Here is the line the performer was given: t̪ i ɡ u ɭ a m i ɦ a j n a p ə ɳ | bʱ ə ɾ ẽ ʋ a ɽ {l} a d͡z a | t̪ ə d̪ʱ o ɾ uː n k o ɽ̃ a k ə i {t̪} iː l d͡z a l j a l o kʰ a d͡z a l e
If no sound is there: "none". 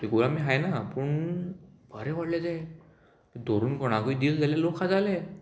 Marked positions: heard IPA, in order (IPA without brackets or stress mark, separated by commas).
l, d̪